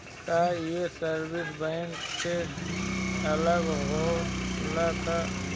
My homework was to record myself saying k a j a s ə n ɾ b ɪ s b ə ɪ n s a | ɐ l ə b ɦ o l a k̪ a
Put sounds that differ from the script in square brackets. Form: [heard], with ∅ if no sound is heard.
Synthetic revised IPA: k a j [e] s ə [∅] ɾ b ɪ s b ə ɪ n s [e] | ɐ l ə [ɡ] ɦ o l a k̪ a